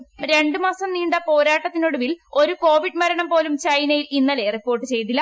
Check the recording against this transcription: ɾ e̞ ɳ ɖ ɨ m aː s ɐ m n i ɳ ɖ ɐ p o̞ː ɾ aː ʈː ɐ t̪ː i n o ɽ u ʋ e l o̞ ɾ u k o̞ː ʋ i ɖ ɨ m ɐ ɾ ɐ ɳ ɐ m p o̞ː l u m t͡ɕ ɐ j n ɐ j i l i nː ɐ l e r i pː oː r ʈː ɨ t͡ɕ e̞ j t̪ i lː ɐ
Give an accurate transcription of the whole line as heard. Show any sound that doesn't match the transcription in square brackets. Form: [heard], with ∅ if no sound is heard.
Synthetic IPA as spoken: ɾ e̞ ɳ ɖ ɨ m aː s ɐ m n [iː] ɳ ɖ ɐ p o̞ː ɾ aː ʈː ɐ t̪ː i n o ɽ u ʋ [i] l o̞ ɾ u k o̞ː ʋ i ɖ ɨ m ɐ ɾ ɐ ɳ ɐ m p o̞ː l u m t͡ɕ ɐ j n ɐ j i l i nː ɐ l e r i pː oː r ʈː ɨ t͡ɕ e̞ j t̪ i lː ɐ